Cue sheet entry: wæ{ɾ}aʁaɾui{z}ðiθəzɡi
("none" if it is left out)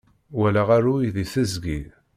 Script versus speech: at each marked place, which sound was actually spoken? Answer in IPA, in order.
l, none

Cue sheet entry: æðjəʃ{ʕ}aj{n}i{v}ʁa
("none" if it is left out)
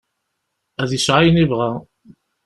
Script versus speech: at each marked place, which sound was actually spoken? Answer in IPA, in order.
ʕ, n, v

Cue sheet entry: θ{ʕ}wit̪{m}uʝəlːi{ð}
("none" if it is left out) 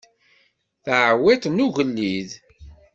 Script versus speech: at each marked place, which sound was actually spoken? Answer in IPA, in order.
ʕ, n, ð

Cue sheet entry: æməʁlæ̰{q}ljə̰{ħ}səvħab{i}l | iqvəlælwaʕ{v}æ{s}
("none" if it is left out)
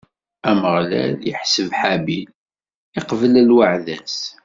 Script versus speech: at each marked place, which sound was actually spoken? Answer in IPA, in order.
none, ħ, i, ð, s

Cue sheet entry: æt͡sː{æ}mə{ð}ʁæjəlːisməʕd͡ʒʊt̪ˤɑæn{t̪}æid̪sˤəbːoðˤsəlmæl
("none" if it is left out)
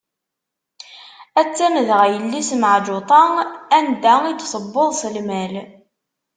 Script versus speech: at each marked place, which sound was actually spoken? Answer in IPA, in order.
æ, ð, d̪

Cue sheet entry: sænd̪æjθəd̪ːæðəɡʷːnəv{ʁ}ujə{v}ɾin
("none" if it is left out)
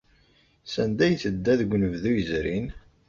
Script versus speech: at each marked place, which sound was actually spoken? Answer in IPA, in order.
ð, z

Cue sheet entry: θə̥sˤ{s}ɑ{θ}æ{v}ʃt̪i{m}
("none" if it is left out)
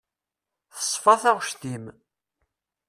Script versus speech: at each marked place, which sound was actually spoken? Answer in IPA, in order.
f, θ, ʁ, m

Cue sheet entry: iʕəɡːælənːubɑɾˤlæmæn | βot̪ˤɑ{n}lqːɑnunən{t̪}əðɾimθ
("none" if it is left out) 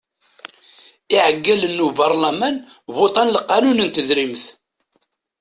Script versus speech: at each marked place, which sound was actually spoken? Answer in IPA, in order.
n, t̪

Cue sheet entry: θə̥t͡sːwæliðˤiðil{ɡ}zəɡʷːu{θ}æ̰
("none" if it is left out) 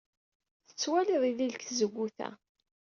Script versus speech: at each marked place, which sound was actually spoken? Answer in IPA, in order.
k, θ

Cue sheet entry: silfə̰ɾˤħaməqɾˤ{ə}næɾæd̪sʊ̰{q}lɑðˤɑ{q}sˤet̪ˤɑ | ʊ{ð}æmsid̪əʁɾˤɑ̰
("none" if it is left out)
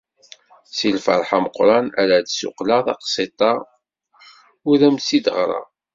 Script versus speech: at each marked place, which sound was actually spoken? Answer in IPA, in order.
ɑ, q, q, ð

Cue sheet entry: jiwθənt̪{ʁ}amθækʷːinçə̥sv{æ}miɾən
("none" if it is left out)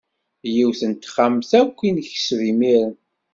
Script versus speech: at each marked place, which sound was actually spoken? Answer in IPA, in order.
χ, i

